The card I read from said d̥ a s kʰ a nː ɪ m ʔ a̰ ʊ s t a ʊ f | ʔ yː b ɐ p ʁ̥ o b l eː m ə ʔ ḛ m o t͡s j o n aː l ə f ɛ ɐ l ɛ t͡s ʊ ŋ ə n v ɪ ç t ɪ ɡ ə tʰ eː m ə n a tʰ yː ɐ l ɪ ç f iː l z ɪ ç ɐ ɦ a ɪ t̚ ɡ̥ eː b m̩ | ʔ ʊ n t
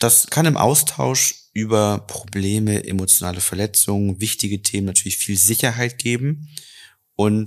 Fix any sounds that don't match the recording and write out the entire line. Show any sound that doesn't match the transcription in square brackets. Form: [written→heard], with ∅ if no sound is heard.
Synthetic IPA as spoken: d̥ a s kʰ a [nː→n] ɪ m ʔ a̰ ʊ s [t→tʰ] a ʊ [f→ʃ] | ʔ yː b ɐ p ʁ̥ o b l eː m ə ʔ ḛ m o t͡s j o n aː l ə f ɛ ɐ l ɛ t͡s ʊ ŋ ə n v ɪ ç t ɪ ɡ ə tʰ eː m ə n a tʰ yː ɐ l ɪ ç f iː l z ɪ ç ɐ ɦ a ɪ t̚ ɡ̥ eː b m̩ | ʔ ʊ n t